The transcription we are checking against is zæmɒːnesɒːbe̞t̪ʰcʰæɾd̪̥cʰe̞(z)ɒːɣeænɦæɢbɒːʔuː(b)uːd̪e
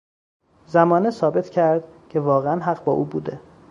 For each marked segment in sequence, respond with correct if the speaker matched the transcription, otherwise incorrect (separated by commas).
incorrect, correct